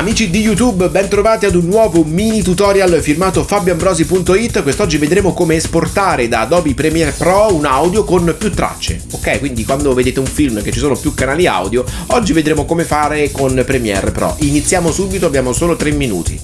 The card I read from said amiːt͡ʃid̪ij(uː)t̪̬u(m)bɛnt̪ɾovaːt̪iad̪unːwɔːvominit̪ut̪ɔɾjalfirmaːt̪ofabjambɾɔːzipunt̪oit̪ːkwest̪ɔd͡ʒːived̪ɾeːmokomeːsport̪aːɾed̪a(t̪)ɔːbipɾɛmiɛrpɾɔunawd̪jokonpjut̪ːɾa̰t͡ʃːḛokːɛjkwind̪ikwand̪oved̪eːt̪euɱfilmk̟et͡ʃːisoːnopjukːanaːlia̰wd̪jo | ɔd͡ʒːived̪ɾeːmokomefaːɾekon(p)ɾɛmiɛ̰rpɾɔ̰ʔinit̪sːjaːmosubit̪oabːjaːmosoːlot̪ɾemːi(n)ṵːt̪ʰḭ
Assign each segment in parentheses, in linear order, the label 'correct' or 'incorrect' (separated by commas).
incorrect, incorrect, incorrect, correct, correct